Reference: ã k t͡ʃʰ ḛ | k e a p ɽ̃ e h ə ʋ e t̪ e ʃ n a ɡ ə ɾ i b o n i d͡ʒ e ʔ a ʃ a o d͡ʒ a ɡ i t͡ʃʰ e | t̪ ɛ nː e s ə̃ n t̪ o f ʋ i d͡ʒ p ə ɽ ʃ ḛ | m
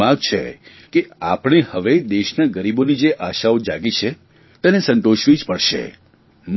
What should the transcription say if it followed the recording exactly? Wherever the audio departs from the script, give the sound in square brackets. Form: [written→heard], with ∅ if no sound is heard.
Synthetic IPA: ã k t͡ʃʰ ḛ | k e a p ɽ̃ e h ə ʋ e [t̪→d̪] e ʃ n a ɡ ə ɾ i b o n i d͡ʒ e ʔ a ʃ a o d͡ʒ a ɡ i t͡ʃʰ e | t̪ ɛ [nː→n] e s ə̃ n t̪ o [f→ʃ] ʋ i d͡ʒ p ə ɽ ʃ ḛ | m

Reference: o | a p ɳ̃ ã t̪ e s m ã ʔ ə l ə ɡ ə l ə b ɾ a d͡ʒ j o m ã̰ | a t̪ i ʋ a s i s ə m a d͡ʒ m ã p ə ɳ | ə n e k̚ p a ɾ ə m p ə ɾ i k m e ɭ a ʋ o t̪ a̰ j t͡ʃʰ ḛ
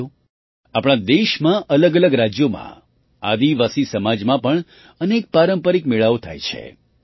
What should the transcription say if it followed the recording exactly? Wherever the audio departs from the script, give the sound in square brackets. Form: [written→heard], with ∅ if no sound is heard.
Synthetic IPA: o | a p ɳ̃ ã [t̪→d̪] e [s→ʃ] m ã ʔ ə l ə ɡ ə l ə [b→ɡ] ɾ a d͡ʒ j o m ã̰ | a [t̪→d̪] i ʋ a s i s ə m a d͡ʒ m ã p ə ɳ | ə n e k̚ p a ɾ ə m p ə ɾ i k m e ɭ a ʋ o [t̪→t̪ʰ] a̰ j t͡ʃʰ ḛ

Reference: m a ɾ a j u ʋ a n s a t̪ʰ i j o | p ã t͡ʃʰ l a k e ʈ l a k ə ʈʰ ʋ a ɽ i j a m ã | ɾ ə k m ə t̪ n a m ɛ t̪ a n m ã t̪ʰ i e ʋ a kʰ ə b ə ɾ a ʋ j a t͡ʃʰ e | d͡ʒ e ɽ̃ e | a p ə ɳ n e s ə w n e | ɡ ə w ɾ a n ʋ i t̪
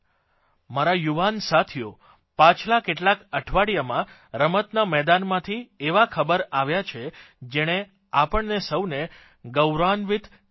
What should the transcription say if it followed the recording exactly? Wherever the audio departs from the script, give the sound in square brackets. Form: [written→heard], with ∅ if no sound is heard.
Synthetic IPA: m a ɾ a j u ʋ a n s a t̪ʰ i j o | p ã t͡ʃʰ l a k e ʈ l a k ə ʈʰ ʋ a ɽ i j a m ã | ɾ ə [k→∅] m ə t̪ n a m ɛ [t̪→d̪] a n m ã t̪ʰ i e ʋ a kʰ ə b ə ɾ a ʋ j a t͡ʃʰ e | d͡ʒ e ɽ̃ e | a p ə ɳ n e s ə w n e | ɡ ə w ɾ a n ʋ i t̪

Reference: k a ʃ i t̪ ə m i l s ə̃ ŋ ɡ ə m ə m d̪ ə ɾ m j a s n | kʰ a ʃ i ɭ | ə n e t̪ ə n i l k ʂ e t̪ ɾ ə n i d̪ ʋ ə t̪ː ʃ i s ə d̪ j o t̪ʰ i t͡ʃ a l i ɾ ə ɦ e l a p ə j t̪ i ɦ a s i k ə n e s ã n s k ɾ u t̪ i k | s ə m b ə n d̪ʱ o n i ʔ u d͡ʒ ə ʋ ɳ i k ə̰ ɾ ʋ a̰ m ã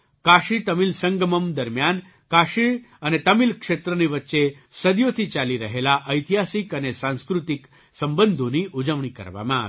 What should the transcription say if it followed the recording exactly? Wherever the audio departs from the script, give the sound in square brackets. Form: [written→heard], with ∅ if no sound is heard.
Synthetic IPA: k a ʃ i t̪ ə m i l s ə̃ ŋ ɡ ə m ə m d̪ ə ɾ m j a [s→∅] n | [kʰ→k] a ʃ i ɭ | ə n e t̪ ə [n→m] i l k ʂ e t̪ ɾ ə n i [d̪→∅] ʋ ə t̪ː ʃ [i→e] s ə d̪ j o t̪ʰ i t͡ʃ a l i ɾ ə ɦ e l a [p→ʔ] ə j t̪ i ɦ a s i k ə n e s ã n s k ɾ u t̪ i k | s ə m b ə n d̪ʱ o n i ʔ u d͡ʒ ə ʋ ɳ i k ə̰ ɾ ʋ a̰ m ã

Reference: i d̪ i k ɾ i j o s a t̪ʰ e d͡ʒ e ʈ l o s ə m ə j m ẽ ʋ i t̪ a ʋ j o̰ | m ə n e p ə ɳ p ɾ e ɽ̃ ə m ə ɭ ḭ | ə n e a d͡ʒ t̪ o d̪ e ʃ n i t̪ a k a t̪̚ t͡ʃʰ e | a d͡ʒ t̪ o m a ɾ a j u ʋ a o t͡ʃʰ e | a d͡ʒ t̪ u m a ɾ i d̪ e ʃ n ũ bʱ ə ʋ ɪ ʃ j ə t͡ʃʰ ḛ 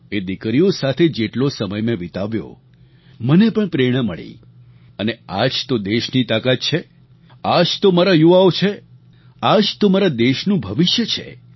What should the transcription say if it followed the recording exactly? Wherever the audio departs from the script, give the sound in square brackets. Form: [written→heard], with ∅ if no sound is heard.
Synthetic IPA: [i→e] d̪ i k ɾ i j o s a t̪ʰ e d͡ʒ e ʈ l o s ə m ə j m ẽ ʋ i t̪ a ʋ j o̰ | m ə n e p ə ɳ p ɾ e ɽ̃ ə m ə ɭ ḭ | ə n e a d͡ʒ t̪ o d̪ e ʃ n i t̪ a k a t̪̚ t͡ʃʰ e | a d͡ʒ t̪ o m a ɾ a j u ʋ a o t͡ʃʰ e | a d͡ʒ t̪ [u→o] m a ɾ [i→a] d̪ e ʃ n ũ bʱ ə ʋ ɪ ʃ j ə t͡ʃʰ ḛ

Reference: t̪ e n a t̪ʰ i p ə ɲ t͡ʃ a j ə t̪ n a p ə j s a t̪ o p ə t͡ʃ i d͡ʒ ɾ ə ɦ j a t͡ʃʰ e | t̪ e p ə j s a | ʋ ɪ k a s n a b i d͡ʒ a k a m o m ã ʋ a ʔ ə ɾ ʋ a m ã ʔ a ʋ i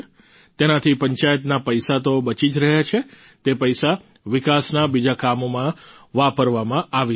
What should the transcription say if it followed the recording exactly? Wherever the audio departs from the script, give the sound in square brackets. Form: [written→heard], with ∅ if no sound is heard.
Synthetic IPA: t̪ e n a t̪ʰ i p ə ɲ t͡ʃ a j ə t̪ n a p ə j s a t̪ o [p→b] ə t͡ʃ i d͡ʒ ɾ ə ɦ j a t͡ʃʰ e | t̪ e p ə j s a | ʋ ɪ k a s n a b i d͡ʒ a k a m o m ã ʋ a [ʔ→p] ə ɾ ʋ a m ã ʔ a ʋ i

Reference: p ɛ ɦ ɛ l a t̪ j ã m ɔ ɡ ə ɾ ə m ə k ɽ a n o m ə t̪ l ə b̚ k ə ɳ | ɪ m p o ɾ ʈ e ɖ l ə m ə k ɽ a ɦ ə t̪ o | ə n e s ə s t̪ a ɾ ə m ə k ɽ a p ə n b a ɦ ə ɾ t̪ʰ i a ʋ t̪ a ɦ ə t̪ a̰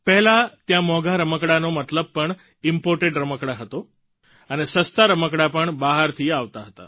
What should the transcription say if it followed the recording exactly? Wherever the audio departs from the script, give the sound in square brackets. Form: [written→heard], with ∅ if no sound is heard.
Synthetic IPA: p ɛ ɦ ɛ l a t̪ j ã m ɔ ɡ [ə→a] ɾ ə m ə k ɽ a n o m ə t̪ l ə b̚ [k→p] ə ɳ | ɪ m p o ɾ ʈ e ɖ [l→ɾ] ə m ə k ɽ a ɦ ə t̪ o | ə n e s ə s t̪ a ɾ ə m ə k ɽ a p ə [n→ɳ] b a ɦ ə ɾ t̪ʰ i a ʋ t̪ a ɦ ə t̪ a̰

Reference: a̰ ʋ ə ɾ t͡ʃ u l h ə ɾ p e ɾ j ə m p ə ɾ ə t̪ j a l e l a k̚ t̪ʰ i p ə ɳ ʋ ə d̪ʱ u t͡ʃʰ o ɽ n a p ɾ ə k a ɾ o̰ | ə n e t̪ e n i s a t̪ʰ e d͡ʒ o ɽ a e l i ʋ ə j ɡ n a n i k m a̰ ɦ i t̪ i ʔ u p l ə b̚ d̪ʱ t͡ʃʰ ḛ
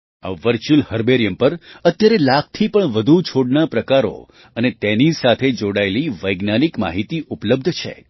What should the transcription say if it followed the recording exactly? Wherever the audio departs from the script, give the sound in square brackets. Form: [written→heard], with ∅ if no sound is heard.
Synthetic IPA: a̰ ʋ ə ɾ t͡ʃ u l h ə ɾ [p→b] e ɾ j ə m p ə ɾ ə t̪ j a [l→ɾ] e l a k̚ t̪ʰ i p ə ɳ ʋ ə d̪ʱ u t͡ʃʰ o ɽ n a p ɾ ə k a ɾ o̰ | ə n e t̪ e n i s a t̪ʰ e d͡ʒ o ɽ a e l i ʋ ə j ɡ n a n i k m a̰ ɦ i t̪ i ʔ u p l ə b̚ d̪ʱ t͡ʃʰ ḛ

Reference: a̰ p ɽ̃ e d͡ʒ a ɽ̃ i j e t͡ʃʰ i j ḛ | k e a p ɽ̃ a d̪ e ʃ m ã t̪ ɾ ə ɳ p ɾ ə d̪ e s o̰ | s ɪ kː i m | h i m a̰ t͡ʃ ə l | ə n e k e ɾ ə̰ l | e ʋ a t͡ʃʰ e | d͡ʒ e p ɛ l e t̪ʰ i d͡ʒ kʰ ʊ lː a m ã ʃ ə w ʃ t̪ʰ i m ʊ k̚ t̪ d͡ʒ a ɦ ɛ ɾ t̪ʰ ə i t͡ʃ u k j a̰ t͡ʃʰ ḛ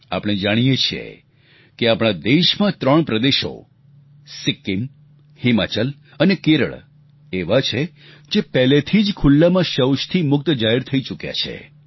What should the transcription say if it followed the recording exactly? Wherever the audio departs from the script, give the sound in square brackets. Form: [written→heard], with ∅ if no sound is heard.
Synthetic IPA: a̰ p ɽ̃ e d͡ʒ a ɽ̃ i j e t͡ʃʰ i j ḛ | k e a p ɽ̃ a d̪ e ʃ m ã t̪ ɾ ə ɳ p ɾ ə d̪ e [s→ʃ] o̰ | s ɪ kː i m | h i m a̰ t͡ʃ ə l | ə n e k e ɾ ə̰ [l→ɭ] | e ʋ a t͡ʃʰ e | d͡ʒ e p ɛ l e t̪ʰ i d͡ʒ kʰ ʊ lː a m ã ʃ ə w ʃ t̪ʰ i m ʊ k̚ t̪ d͡ʒ a ɦ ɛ ɾ t̪ʰ ə i t͡ʃ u k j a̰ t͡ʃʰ ḛ

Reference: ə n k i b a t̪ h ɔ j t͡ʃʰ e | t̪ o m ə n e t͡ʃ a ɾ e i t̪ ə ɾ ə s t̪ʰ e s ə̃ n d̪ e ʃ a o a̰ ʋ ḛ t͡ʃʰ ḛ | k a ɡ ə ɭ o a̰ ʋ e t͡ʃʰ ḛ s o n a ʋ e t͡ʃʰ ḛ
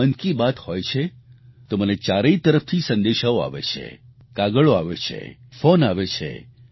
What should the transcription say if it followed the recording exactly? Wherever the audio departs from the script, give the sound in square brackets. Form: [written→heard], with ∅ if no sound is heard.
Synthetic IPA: ə n k i b a t̪ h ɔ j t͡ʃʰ e | t̪ o m ə n e t͡ʃ a ɾ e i t̪ ə ɾ ə [s→f] t̪ʰ [e→i] s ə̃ n d̪ e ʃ a o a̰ ʋ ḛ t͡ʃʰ ḛ | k a ɡ ə ɭ o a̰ ʋ e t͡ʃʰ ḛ [s→f] o n a ʋ e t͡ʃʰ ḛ

